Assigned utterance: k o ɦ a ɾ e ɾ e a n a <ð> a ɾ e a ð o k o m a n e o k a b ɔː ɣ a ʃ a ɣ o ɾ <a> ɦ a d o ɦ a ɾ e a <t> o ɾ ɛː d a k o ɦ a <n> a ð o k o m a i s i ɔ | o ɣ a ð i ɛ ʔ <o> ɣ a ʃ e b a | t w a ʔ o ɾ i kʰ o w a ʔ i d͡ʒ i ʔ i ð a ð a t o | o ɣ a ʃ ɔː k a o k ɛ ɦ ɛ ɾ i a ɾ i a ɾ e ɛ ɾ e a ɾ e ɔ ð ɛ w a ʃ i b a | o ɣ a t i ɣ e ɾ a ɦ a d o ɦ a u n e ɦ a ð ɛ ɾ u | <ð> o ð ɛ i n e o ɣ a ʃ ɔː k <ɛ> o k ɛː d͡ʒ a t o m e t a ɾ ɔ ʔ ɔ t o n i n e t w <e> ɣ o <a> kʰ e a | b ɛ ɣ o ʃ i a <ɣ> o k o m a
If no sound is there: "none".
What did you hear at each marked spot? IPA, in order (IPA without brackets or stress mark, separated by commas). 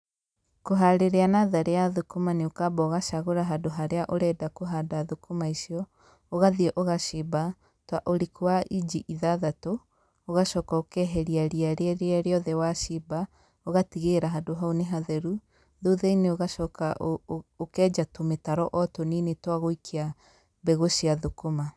ð, a, ʔ, d, o, ð, a, a, i, ð